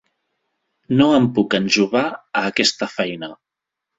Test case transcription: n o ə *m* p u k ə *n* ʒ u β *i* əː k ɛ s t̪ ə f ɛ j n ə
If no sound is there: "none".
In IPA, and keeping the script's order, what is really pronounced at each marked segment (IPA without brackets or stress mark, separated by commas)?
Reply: m, n, a